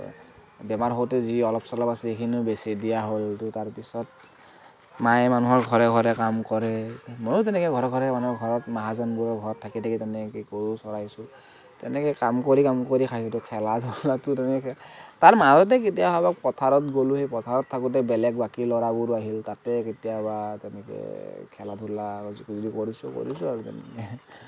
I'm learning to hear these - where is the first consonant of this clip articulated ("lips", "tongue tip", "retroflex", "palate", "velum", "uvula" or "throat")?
lips